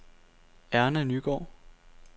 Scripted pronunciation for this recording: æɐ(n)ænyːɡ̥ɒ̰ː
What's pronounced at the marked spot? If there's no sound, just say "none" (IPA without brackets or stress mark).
n